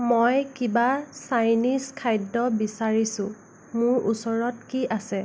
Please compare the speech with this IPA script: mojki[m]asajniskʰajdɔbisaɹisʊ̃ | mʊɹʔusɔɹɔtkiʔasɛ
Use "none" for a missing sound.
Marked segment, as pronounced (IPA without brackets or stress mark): b